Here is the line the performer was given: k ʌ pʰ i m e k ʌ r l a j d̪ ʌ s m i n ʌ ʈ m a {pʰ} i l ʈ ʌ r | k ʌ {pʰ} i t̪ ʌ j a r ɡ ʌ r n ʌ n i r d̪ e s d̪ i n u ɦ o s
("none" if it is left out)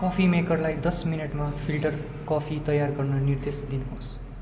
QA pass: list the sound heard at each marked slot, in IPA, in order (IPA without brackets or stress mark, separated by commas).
pʰ, pʰ